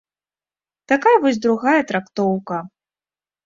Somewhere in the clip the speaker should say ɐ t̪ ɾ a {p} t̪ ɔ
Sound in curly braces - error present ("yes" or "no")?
yes